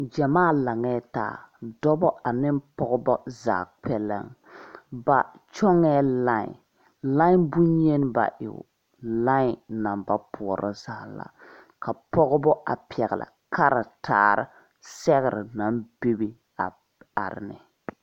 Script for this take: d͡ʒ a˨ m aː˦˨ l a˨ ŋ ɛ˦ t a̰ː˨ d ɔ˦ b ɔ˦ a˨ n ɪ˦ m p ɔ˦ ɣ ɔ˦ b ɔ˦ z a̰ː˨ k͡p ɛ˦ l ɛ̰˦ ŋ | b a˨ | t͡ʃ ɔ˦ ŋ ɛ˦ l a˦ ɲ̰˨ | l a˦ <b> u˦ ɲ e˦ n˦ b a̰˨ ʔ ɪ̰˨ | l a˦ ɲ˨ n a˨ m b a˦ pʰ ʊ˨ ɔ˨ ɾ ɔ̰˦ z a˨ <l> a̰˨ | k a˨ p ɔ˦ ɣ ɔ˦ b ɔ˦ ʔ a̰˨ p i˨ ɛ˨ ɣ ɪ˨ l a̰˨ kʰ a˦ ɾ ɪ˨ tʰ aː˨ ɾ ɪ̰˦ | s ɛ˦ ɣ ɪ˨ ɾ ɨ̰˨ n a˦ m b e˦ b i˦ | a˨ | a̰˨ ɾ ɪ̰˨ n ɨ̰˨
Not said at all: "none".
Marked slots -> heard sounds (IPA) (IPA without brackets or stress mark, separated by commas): b, l